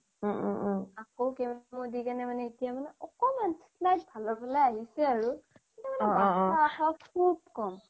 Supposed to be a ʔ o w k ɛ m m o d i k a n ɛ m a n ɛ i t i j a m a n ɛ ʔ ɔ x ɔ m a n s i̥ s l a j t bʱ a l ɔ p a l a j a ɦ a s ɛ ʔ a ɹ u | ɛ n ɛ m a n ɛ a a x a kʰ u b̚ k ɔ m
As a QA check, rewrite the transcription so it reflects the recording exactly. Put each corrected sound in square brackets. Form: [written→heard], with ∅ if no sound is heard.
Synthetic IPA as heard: a [ʔ→k] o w k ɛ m m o d i k a n ɛ m a n ɛ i t i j a m a n ɛ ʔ ɔ [x→k] ɔ m a n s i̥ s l a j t bʱ a l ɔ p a l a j a ɦ [a→i] s ɛ [ʔ→∅] a ɹ u | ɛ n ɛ m a n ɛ a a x a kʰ u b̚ k ɔ m